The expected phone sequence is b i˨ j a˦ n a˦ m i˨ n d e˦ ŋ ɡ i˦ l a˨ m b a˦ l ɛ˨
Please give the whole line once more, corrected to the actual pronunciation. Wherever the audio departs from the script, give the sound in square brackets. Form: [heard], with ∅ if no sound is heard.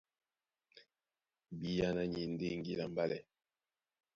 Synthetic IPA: b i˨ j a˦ n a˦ [ɲ] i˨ n d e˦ ŋ ɡ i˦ l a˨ m b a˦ l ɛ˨